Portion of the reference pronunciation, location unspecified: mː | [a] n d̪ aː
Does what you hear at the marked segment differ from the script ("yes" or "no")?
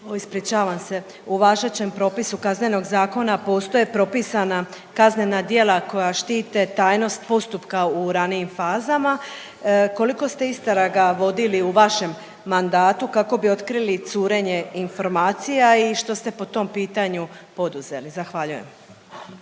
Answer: no